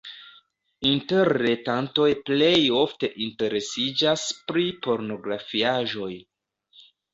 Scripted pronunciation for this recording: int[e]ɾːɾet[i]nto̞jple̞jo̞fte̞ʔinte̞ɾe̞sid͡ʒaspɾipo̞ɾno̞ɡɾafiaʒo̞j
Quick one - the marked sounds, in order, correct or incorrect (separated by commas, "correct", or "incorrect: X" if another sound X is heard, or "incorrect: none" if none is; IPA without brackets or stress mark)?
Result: correct, incorrect: a